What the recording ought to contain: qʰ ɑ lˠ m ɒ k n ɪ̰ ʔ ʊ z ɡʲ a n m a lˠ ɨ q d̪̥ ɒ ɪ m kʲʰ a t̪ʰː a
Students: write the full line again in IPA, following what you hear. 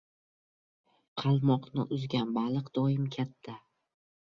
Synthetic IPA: qʰ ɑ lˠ m ɒ q n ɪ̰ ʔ ʊ z ɡʲ a n b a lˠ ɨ q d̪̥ ɒ ɪ m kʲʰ a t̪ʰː a